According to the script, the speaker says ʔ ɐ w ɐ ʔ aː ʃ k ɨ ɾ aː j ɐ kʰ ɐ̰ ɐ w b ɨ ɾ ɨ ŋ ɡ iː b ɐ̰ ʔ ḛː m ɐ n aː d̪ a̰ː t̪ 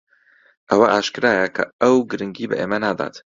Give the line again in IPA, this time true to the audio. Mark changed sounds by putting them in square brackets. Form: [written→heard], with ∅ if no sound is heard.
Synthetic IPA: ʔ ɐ w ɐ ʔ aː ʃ k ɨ ɾ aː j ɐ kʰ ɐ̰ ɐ w [b→ɡ] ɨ ɾ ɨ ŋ ɡ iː b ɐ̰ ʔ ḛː m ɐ n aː d̪ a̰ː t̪